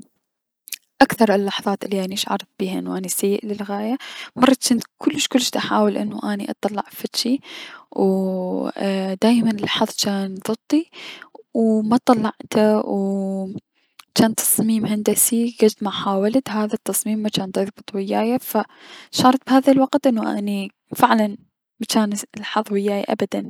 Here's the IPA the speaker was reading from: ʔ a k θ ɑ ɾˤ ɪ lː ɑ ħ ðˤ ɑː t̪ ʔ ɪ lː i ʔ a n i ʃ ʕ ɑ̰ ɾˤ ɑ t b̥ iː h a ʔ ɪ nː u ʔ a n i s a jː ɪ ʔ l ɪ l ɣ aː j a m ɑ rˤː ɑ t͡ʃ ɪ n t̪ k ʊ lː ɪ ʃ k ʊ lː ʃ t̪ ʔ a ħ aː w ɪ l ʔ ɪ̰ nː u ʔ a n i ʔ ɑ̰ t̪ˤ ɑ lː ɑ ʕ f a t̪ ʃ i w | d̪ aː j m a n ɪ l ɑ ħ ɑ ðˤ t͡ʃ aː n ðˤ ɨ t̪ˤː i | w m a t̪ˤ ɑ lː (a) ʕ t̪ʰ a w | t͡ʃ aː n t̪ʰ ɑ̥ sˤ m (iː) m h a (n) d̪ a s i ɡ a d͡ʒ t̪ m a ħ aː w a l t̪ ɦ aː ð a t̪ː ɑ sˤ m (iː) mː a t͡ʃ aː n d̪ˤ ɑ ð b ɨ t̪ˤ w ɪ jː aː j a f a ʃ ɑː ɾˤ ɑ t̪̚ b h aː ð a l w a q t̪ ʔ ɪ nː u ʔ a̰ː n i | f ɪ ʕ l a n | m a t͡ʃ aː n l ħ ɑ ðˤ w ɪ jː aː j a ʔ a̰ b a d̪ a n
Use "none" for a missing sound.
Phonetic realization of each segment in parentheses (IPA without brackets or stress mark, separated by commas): ɑ, iː, n, iː